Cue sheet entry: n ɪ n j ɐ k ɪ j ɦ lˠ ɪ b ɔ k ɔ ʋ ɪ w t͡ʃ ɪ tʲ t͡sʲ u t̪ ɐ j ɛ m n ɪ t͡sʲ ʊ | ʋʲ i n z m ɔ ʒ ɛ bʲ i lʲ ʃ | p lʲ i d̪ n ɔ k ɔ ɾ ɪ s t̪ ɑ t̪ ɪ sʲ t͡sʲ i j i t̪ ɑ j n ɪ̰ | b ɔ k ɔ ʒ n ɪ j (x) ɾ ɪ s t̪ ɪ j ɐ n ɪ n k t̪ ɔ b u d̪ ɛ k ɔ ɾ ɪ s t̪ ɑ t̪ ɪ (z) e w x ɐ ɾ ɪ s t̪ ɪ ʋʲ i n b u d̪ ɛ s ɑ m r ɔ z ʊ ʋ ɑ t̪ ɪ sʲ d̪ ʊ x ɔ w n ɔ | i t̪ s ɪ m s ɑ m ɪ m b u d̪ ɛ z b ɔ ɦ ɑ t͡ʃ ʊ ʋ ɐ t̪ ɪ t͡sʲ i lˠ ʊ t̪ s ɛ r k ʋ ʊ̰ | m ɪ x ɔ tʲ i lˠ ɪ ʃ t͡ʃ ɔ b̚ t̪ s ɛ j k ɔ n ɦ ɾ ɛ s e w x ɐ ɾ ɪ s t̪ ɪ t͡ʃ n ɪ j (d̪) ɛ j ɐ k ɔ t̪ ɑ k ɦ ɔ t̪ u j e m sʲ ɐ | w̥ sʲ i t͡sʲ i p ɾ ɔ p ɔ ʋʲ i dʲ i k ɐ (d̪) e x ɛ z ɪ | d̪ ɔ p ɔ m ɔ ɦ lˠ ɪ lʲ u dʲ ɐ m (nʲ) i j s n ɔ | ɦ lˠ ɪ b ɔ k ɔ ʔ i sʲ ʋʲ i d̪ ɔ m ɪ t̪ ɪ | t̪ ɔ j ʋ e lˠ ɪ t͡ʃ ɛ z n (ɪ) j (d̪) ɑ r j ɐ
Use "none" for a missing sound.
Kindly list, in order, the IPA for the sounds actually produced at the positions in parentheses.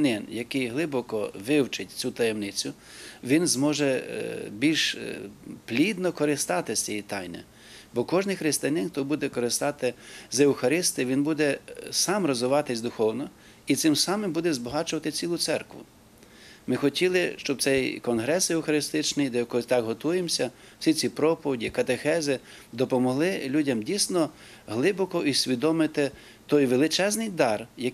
x, z, d̪, t̪, dʲ, ɪ, d̪

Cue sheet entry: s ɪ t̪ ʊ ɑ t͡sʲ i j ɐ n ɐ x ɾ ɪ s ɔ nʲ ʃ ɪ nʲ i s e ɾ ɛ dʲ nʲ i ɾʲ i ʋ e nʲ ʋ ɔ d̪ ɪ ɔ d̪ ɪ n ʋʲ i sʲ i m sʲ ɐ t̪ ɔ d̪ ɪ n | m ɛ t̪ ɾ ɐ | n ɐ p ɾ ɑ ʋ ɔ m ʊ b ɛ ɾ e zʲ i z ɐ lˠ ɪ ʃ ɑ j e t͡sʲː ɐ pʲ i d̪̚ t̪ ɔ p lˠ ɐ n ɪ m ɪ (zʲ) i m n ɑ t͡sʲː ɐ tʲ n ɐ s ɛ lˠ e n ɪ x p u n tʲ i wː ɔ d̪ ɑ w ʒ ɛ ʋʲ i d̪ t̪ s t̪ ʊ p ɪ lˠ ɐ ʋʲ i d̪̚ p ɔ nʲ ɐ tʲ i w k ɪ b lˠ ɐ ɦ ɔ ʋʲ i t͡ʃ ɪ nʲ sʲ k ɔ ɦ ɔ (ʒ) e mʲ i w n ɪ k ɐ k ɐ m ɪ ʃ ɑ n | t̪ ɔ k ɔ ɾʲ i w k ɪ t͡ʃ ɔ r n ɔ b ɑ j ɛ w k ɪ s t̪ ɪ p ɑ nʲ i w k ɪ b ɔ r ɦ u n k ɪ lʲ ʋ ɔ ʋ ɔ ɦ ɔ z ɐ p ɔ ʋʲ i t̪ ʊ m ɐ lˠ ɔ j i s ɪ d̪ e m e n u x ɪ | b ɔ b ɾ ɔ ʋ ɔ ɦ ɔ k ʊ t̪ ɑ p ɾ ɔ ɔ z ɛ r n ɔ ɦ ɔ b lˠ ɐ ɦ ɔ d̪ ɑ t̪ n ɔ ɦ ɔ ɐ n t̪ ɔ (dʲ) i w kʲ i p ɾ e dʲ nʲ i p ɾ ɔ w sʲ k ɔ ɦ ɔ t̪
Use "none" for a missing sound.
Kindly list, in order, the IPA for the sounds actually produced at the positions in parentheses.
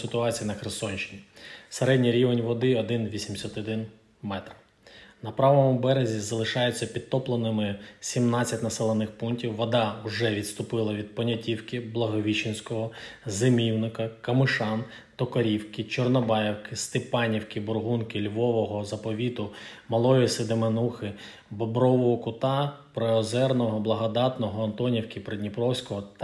sʲ, z, nʲ

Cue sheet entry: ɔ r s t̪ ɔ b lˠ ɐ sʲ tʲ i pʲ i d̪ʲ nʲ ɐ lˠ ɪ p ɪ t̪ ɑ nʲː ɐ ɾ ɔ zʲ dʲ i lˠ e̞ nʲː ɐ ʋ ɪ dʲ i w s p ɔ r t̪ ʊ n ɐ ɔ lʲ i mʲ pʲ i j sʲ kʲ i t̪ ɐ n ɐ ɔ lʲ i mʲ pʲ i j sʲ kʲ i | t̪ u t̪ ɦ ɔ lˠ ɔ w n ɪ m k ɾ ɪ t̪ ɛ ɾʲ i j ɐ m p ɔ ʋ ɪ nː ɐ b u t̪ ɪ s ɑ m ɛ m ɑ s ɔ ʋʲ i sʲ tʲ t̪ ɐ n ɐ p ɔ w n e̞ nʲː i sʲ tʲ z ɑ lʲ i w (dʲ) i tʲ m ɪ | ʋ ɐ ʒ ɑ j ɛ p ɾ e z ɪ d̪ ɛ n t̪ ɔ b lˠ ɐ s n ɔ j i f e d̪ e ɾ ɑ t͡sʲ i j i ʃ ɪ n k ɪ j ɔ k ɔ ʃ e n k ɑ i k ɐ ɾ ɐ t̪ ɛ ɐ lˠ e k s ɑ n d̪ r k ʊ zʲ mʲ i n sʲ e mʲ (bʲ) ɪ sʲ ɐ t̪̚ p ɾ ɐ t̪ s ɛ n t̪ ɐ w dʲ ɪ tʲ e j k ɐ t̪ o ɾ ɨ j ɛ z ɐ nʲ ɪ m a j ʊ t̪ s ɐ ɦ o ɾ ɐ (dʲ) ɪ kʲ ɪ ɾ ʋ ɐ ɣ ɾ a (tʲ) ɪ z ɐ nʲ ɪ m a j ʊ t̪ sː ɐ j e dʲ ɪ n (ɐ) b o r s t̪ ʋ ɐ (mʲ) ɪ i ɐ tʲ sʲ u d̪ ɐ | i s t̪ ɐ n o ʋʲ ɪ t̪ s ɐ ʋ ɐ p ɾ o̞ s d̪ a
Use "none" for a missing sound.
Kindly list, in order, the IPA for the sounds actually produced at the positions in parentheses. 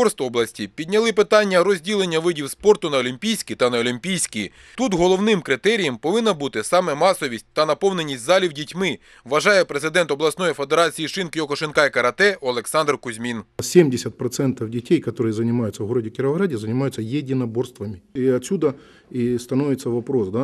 dʲ, dʲ, dʲ, dʲ, ɐ, mʲ

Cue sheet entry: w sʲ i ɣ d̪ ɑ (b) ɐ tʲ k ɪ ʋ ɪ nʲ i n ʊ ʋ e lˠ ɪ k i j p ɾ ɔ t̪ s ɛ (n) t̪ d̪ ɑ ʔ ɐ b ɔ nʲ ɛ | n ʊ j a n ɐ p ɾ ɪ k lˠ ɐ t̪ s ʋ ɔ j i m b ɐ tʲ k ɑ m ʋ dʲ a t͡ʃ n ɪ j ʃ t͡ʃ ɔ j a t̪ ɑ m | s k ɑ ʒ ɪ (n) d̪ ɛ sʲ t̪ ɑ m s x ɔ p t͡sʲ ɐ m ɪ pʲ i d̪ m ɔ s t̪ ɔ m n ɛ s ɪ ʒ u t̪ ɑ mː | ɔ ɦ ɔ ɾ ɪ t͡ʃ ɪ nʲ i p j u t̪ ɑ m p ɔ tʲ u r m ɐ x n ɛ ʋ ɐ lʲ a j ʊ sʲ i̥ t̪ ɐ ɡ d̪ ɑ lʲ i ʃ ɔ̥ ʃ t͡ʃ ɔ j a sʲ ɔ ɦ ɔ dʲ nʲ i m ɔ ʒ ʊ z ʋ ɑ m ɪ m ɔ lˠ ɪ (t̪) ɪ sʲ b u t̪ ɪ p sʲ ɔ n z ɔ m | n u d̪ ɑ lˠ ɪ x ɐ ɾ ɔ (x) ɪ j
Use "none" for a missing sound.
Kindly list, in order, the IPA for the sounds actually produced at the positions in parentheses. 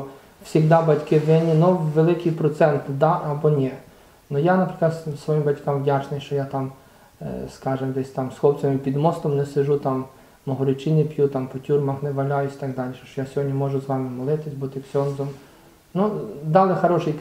b, n, m, t̪, ʃ

